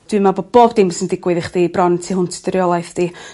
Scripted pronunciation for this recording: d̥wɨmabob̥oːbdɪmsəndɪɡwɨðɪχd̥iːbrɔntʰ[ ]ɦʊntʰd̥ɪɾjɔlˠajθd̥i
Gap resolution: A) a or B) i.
B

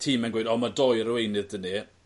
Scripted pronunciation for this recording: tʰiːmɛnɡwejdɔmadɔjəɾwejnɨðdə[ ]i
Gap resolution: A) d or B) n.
B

